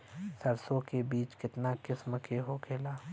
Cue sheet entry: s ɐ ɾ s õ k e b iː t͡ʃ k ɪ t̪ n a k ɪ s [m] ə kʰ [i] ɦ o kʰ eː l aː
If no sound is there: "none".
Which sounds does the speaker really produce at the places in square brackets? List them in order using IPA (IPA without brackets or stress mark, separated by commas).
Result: m, e